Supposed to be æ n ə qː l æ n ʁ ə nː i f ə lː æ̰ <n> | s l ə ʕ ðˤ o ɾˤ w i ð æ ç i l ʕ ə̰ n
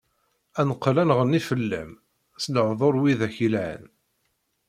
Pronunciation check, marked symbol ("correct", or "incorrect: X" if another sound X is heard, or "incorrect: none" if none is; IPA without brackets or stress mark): incorrect: m